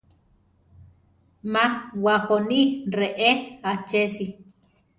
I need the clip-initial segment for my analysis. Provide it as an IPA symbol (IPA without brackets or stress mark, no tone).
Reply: m